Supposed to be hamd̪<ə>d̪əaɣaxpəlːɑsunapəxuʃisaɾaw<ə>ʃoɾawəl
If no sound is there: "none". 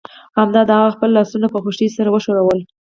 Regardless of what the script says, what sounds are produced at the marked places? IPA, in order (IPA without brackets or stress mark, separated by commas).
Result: ɑ, ə